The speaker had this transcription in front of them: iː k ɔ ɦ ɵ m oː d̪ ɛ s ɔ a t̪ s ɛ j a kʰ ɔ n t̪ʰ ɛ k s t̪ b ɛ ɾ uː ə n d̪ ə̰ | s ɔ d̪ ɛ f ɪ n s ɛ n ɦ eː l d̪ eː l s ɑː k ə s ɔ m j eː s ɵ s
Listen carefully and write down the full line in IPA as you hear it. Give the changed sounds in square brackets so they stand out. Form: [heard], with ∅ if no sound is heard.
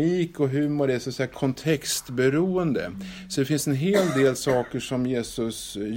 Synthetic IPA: iː k ɔ ɦ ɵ m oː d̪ ɛ s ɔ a t̪ s ɛ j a kʰ ɔ n t̪ʰ ɛ k s t̪ b ɛ ɾ uː ə n d̪ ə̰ | s ɔ d̪ ɛ f ɪ n s ɛ n ɦ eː l d̪ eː l s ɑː k ə [ʂ] ɔ m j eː s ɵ s